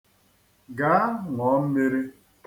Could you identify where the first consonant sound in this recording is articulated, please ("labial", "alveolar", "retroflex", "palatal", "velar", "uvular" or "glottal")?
velar